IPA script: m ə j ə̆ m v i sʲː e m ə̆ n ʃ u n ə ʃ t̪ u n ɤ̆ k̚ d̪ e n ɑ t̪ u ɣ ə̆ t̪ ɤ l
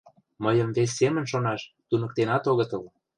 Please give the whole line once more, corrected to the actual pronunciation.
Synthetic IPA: m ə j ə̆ m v e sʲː e m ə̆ n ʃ o n ɑ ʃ t̪ u n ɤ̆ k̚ t̪ e n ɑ t̪ o ɣ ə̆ t̪ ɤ l